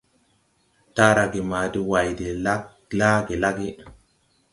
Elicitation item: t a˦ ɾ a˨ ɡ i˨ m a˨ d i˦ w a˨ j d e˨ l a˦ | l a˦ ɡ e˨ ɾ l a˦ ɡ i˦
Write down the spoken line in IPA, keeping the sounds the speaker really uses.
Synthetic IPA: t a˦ ɾ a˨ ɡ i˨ m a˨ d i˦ w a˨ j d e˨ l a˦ | l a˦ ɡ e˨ l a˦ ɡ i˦